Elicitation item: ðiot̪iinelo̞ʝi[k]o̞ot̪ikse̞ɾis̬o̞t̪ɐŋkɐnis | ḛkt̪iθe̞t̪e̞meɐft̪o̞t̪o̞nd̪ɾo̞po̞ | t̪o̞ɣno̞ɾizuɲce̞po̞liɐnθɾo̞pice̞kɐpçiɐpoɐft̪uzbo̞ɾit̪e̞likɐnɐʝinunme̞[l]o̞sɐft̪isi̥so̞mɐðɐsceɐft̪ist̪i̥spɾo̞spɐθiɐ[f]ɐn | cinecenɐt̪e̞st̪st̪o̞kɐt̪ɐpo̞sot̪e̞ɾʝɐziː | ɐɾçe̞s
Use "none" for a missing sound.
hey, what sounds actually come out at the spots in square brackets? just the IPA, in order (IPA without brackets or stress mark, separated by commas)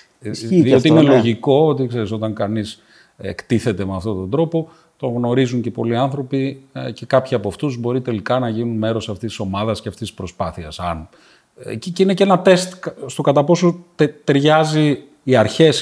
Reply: k, ɾ, s